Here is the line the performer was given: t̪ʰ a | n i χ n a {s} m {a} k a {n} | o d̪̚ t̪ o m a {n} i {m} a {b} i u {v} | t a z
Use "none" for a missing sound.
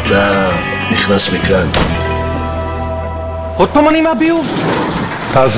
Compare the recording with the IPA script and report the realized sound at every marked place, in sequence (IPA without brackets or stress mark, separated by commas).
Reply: s, i, n, n, m, b, v